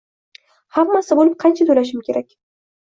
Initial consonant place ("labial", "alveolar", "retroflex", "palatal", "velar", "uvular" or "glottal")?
glottal